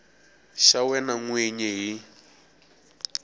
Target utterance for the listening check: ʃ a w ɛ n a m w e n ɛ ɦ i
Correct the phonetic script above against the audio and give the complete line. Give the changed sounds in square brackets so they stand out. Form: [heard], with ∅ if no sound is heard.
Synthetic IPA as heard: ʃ a w ɛ n a [ŋ] w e [ɲ] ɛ ɦ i